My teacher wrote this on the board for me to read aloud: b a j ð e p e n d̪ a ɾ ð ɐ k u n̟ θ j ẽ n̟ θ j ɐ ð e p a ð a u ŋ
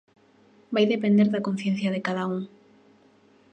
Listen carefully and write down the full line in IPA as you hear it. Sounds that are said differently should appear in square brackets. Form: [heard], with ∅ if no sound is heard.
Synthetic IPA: b a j ð e p e n d̪ [e] ɾ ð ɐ k [o] n̟ θ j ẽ n̟ θ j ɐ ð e [k] a ð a u ŋ